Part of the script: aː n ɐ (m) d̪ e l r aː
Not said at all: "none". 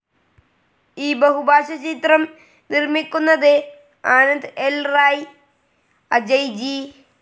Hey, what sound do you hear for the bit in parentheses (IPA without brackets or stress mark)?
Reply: n